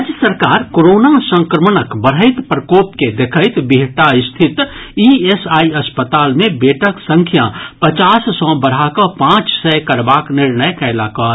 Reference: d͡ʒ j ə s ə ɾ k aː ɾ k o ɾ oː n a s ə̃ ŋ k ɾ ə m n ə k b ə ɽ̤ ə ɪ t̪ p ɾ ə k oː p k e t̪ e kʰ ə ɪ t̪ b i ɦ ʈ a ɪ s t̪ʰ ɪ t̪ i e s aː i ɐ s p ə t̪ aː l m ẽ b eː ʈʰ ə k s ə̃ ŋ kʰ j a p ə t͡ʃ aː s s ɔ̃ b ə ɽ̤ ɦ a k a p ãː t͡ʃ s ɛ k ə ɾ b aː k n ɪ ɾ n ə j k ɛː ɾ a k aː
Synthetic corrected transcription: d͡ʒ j ə s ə ɾ k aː ɾ k o ɾ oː n a s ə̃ ŋ k ɾ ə m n ə k b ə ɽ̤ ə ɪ t̪ p ɾ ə k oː p k e d̪ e kʰ ə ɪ t̪ b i ɦ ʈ a ɪ s t̪ʰ ɪ t̪ i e s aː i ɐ s p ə t̪ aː l m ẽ b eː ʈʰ ə k s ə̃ ŋ kʰ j a p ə t͡ʃ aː s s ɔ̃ b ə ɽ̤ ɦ a k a p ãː t͡ʃ s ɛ k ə ɾ b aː k n ɪ ɾ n ə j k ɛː l a k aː